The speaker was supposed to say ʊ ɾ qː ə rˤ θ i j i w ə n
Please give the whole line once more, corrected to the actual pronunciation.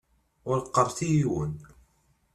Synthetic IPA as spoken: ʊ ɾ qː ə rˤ θ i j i w ə n